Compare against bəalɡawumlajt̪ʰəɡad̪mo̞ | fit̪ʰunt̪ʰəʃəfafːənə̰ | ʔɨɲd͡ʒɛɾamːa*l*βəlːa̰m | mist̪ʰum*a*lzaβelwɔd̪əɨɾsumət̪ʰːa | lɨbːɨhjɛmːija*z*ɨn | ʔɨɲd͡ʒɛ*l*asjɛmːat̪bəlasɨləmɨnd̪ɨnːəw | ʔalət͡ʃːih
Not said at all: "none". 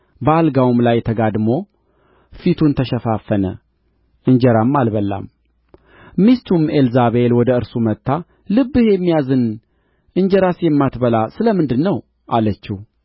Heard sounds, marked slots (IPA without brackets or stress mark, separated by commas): l, e, z, ɾ